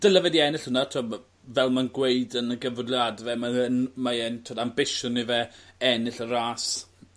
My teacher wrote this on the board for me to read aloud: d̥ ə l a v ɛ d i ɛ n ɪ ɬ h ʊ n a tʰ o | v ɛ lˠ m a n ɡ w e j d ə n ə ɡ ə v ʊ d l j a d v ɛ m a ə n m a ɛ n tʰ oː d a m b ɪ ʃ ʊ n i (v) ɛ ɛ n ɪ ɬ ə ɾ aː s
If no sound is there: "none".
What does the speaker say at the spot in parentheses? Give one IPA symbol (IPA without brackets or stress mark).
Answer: v